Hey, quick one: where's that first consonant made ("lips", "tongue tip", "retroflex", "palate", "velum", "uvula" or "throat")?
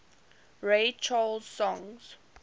tongue tip